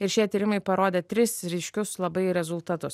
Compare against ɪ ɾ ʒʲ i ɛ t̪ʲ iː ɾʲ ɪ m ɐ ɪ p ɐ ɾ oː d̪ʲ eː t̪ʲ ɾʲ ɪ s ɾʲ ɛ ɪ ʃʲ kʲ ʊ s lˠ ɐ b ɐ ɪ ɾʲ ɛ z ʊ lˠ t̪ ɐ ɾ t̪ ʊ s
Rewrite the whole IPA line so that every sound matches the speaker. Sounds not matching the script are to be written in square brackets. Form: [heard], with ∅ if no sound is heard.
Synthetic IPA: ɪ ɾ [ʃʲ] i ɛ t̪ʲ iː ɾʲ ɪ m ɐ ɪ p ɐ ɾ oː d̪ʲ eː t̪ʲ ɾʲ ɪ s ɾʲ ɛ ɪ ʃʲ kʲ ʊ s lˠ ɐ b ɐ ɪ ɾʲ ɛ z ʊ lˠ t̪ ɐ [∅] t̪ ʊ s